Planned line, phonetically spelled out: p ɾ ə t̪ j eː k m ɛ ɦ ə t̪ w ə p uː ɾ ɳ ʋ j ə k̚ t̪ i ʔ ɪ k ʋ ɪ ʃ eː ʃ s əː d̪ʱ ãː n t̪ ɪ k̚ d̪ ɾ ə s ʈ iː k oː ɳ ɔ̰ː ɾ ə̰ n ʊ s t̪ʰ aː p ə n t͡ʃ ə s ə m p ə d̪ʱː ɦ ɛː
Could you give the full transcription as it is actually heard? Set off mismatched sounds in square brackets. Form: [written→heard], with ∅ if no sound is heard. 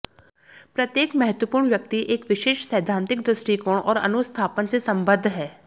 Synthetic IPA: p ɾ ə t̪ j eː k m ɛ ɦ ə t̪ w ə p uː ɾ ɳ ʋ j ə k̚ t̪ i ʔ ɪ k ʋ ɪ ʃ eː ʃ s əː d̪ʱ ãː n t̪ ɪ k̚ d̪ ɾ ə s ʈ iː k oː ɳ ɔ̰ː ɾ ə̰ n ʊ s t̪ʰ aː p ə n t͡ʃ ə s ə m [p→b] ə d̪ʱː ɦ ɛː